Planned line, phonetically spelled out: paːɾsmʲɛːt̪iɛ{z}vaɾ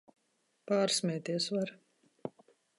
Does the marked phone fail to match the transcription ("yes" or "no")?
yes